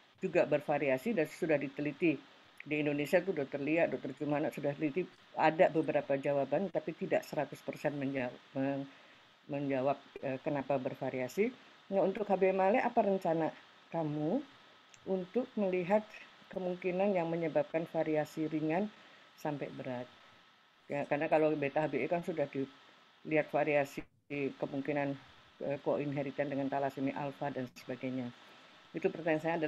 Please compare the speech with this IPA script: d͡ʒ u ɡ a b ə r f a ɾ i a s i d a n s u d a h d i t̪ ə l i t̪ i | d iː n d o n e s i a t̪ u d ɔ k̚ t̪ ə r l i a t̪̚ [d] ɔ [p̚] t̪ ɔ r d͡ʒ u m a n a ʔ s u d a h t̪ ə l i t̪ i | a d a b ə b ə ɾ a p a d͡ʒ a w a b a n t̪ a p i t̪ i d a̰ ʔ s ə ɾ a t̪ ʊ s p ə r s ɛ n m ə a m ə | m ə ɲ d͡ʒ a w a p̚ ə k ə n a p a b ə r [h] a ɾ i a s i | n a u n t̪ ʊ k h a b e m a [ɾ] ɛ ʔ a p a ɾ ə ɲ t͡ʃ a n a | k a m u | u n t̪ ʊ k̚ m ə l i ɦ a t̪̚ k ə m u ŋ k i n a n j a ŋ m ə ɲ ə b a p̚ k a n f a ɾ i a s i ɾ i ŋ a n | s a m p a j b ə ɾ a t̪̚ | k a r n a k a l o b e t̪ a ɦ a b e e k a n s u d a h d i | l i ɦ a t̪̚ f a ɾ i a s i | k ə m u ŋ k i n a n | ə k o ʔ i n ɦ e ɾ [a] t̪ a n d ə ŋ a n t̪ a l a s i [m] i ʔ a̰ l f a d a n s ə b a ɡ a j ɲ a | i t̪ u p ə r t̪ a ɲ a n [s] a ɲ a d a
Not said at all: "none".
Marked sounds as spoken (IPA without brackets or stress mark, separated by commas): d, k̚, f, l, i, m, s